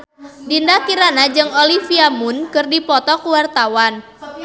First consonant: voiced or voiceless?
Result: voiced